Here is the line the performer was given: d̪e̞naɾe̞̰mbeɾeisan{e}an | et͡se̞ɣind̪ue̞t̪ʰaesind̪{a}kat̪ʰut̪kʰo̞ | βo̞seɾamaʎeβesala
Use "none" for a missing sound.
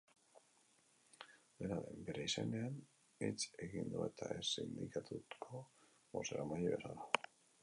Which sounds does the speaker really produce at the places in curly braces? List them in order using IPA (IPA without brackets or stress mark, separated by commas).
e, i